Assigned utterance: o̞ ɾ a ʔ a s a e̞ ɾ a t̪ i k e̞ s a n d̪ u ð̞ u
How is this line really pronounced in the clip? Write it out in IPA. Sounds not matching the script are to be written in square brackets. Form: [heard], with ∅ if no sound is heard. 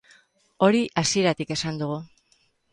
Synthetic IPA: o̞ ɾ [i] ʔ a s [i] e̞ ɾ a t̪ i k e̞ s a n d̪ u [ɣ̞] u